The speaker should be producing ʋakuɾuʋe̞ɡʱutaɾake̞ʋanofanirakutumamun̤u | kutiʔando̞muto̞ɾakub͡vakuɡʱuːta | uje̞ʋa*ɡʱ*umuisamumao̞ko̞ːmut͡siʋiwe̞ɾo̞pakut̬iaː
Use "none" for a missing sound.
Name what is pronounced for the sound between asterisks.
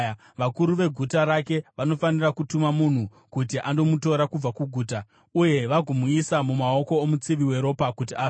ɡʱ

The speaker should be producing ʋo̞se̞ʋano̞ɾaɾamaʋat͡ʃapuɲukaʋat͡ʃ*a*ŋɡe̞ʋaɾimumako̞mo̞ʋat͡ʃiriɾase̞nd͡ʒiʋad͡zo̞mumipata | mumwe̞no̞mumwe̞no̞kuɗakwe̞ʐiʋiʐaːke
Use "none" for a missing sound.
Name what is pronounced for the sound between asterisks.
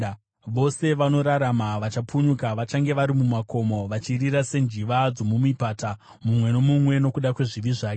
a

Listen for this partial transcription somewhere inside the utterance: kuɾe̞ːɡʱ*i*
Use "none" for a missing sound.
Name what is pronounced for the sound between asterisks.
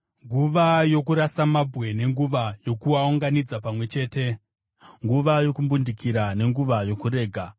a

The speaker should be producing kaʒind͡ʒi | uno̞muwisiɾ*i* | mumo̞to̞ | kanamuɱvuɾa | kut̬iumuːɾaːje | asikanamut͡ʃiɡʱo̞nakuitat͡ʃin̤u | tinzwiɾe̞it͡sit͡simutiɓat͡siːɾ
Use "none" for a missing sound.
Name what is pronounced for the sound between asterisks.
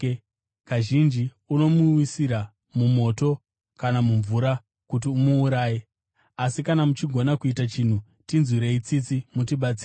a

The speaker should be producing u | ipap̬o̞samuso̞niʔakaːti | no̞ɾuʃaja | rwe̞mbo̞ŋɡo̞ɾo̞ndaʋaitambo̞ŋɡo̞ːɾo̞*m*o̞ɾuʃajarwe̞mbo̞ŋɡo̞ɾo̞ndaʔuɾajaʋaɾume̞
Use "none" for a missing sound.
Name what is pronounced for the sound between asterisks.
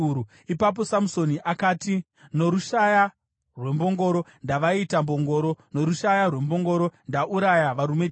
n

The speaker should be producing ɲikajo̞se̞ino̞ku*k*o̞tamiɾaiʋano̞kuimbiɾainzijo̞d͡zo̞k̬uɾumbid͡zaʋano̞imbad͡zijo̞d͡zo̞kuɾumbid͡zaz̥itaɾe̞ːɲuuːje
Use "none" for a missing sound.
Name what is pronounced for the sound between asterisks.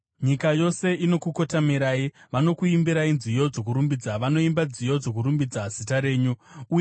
k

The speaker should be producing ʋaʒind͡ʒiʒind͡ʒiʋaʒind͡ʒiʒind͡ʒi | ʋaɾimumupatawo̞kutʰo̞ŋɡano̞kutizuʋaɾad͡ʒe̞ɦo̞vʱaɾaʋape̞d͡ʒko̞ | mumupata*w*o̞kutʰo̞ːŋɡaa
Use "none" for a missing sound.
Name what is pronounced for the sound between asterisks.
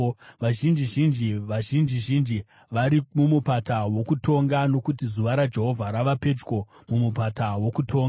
w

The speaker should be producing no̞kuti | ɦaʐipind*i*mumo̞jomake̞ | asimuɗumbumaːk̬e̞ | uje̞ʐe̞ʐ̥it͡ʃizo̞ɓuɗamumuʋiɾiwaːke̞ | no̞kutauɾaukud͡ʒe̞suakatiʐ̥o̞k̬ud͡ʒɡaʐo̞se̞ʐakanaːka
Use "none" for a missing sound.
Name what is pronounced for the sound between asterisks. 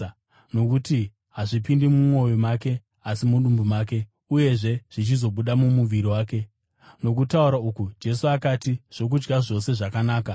i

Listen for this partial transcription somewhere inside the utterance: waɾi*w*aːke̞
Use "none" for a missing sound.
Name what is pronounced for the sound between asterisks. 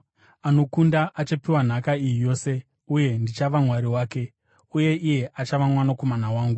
w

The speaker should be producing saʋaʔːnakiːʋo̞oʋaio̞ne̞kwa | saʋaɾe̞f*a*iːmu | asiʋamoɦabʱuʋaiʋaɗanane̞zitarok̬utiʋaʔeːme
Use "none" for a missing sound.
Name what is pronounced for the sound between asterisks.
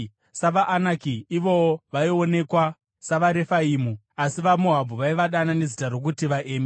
a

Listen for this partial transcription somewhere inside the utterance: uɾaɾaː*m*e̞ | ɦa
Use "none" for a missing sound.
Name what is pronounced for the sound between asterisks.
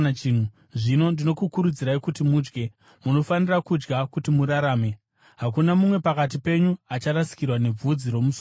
m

